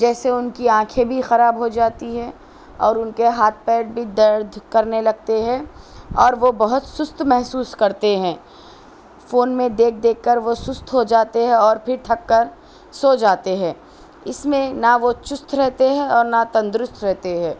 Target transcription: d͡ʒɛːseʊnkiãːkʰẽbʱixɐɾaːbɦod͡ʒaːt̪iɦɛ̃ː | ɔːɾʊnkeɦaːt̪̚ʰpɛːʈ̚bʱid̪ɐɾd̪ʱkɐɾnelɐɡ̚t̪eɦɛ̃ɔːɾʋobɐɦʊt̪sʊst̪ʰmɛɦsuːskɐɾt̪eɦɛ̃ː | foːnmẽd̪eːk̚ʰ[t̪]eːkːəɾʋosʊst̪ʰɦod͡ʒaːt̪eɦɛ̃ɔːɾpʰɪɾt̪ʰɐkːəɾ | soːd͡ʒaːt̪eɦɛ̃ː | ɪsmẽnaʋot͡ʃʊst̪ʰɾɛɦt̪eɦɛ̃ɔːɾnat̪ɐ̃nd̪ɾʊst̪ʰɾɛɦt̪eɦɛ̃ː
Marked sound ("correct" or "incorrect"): incorrect